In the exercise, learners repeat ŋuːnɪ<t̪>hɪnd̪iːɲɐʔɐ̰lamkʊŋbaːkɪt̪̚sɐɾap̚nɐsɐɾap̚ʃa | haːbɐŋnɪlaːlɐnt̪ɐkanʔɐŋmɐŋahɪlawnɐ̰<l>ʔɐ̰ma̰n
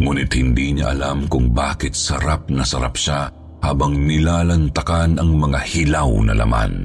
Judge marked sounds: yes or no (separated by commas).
yes, yes